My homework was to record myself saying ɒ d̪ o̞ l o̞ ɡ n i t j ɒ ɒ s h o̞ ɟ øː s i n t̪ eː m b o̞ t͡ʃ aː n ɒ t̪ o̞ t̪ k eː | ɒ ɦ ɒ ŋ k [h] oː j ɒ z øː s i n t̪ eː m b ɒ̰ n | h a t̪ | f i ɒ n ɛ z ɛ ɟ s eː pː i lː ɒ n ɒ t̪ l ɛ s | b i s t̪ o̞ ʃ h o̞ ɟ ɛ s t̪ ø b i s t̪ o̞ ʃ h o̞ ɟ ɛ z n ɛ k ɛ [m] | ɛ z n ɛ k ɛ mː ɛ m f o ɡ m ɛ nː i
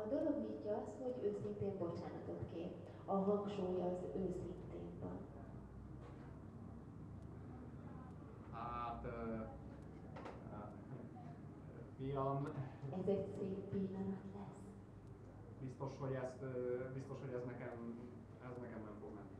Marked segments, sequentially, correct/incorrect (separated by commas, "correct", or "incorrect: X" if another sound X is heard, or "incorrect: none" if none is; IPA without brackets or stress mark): incorrect: ʃ, correct